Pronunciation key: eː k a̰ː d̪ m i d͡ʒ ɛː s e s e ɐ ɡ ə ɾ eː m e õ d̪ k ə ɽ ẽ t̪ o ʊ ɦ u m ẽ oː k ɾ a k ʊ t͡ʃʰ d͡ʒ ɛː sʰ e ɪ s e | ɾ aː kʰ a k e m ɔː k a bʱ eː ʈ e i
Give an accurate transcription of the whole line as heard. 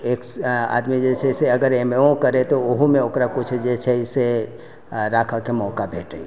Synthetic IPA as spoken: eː k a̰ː d̪ m i d͡ʒ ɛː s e s e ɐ ɡ ə ɾ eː m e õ k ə ɾ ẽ t̪ o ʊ ɦ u m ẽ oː k ɾ a k ʊ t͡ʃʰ d͡ʒ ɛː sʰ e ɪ s e | ɾ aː kʰ a k e m ɔː k a bʱ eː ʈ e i